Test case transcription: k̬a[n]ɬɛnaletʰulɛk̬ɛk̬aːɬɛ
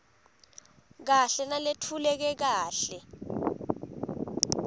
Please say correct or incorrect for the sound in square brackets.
incorrect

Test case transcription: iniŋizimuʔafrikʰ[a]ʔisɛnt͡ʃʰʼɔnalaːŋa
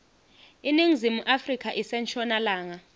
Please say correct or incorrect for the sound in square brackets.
correct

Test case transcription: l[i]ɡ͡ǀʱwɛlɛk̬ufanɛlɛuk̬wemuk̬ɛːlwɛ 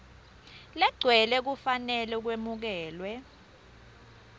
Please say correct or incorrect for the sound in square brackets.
incorrect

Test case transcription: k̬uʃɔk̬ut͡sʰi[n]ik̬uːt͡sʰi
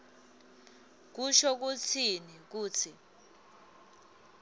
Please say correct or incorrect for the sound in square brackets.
correct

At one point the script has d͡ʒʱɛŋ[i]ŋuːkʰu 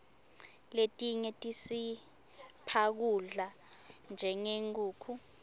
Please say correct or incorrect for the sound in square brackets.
incorrect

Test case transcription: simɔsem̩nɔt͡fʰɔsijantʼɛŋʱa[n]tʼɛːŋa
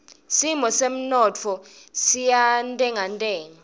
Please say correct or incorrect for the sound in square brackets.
correct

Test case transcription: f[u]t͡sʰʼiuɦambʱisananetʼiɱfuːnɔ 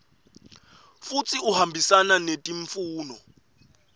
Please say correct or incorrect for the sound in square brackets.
correct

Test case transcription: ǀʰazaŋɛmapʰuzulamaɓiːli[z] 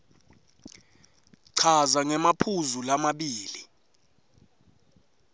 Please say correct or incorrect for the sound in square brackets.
incorrect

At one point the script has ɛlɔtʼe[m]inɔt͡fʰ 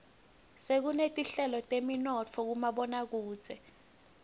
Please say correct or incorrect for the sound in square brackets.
correct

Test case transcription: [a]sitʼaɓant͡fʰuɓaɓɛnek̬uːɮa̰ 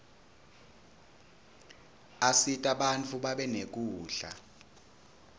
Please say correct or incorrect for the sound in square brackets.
correct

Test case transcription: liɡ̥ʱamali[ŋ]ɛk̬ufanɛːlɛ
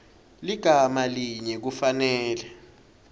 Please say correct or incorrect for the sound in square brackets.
incorrect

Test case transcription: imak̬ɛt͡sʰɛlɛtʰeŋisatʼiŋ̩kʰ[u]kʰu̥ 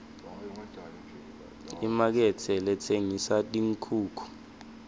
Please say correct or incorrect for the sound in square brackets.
incorrect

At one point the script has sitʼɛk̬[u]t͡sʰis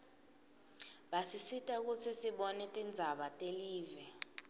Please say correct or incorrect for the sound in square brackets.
correct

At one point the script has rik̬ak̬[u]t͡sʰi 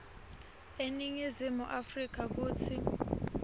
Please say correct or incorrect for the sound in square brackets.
incorrect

